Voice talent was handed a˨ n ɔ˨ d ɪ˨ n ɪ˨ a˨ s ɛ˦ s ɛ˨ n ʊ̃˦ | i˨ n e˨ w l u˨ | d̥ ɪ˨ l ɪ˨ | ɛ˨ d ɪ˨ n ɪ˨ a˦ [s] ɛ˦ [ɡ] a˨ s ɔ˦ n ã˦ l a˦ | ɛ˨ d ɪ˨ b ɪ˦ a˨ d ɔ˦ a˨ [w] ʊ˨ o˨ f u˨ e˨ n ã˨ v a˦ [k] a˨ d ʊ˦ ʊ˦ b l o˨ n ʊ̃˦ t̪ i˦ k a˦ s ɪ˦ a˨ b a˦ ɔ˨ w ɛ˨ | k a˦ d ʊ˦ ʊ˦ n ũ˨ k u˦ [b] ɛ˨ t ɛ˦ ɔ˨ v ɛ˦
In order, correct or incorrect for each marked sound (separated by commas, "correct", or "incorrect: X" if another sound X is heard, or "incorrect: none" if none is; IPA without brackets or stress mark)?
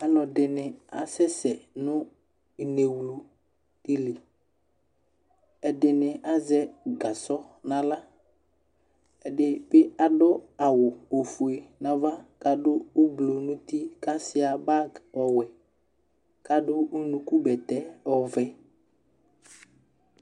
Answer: incorrect: z, correct, correct, correct, correct